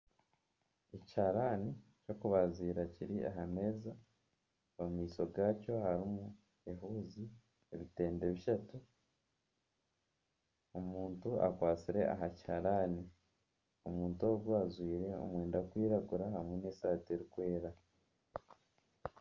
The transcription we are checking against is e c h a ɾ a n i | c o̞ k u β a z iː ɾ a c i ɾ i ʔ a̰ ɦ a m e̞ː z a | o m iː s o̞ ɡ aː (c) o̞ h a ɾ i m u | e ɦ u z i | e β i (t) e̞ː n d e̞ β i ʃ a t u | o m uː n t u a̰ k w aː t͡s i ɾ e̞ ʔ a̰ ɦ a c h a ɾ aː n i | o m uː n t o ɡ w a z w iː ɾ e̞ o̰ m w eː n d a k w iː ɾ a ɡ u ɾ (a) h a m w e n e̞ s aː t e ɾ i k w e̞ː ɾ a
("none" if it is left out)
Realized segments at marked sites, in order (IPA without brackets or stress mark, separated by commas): c, t, a